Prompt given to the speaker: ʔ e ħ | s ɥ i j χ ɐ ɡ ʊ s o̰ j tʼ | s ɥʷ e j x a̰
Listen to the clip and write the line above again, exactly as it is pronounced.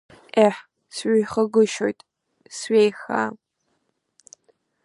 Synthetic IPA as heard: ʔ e ħ | s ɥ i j χ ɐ ɡ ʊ ʃ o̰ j tʼ | s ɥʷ e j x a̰